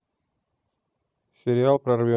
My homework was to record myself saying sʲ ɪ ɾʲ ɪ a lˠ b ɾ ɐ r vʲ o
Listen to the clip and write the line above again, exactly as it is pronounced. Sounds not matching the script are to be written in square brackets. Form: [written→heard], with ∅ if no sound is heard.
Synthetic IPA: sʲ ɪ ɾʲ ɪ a lˠ [b→p] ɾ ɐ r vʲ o